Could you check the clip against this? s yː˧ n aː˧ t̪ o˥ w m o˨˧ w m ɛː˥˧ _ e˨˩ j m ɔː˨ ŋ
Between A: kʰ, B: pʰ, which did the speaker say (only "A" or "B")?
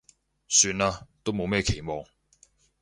A